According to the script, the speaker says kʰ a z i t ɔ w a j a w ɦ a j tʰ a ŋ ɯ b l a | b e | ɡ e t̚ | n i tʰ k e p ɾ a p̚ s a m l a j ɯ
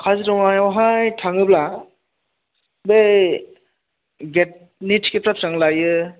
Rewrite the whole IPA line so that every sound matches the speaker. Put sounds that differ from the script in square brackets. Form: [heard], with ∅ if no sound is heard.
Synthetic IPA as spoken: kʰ a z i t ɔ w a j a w ɦ a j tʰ a ŋ ɯ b l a | b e | ɡ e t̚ | n i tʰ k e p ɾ a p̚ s a [ŋ] l a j ɯ

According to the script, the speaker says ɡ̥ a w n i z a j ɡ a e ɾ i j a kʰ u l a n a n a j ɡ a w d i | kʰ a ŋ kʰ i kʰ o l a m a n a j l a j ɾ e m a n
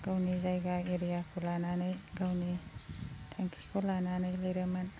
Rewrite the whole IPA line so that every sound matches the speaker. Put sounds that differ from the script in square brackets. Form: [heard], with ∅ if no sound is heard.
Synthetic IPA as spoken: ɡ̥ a w n i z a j ɡ a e ɾ i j a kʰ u l a n a n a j ɡ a w [n] i | [tʰ] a ŋ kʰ i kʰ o l a [n] a n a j l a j ɾ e m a n

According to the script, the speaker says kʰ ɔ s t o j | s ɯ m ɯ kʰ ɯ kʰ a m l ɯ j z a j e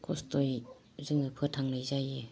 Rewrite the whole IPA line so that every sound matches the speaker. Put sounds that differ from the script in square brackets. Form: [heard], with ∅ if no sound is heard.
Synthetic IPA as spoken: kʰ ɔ s t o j | [z] ɯ [ŋ] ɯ [pʰ] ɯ [tʰ] a [ŋ] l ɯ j z a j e

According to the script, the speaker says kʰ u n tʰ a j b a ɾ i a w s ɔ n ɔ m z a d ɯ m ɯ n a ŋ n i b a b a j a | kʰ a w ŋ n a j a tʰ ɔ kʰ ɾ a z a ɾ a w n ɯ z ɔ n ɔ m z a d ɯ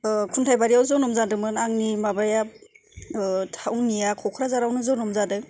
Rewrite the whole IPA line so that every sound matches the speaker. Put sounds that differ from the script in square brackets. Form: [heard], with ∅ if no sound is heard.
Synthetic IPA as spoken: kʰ u n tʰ a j b a ɾ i a w [z] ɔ n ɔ m z a d ɯ m ɯ n a ŋ n i [m] a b a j a | [tʰ] a w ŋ n [i] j a [kʰ] ɔ kʰ ɾ a z a ɾ a w n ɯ z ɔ n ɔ m z a d ɯ

